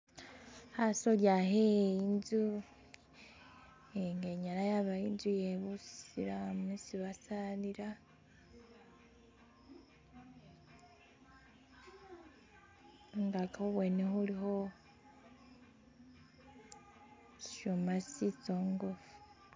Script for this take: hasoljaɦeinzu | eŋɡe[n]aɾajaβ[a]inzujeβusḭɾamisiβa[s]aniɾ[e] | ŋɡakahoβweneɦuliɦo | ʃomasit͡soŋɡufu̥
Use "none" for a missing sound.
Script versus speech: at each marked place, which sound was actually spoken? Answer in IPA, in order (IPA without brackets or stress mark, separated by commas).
ɲ, a, s, a